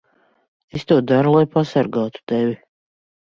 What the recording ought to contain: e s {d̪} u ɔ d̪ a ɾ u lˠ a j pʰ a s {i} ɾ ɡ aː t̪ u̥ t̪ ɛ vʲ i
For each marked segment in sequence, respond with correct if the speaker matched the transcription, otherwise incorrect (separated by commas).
incorrect, incorrect